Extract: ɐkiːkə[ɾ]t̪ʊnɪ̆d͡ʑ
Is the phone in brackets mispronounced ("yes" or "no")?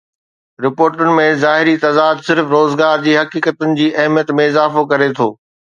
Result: yes